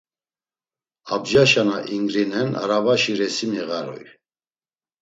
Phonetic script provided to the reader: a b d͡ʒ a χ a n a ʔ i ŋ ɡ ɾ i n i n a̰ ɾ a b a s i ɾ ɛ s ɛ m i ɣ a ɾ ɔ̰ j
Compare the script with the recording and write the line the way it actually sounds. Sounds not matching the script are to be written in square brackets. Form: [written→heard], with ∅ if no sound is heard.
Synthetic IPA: a b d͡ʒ a [χ→ʃ] a n a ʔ i ŋ ɡ ɾ i n [i→ɛ] n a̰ ɾ a [b→v] a [s→ʃ] i ɾ ɛ s [ɛ→i] m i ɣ a ɾ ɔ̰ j